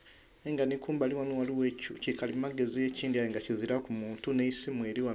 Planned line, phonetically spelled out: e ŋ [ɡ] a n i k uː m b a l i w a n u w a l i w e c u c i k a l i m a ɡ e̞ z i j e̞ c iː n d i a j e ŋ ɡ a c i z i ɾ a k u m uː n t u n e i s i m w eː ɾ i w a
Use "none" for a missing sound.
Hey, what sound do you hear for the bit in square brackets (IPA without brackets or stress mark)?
ɡ